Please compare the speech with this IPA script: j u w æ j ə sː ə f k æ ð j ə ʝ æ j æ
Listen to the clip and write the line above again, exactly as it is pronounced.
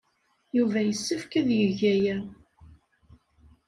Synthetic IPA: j u v æ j ə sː ə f k æ ð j ə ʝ æ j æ